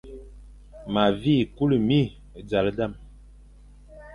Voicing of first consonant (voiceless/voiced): voiced